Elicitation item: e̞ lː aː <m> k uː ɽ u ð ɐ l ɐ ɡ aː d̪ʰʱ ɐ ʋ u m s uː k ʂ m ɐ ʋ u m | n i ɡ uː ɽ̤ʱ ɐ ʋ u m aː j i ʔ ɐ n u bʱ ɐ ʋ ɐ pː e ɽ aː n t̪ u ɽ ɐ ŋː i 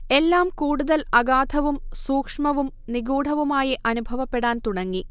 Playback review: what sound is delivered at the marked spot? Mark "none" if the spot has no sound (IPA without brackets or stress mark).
m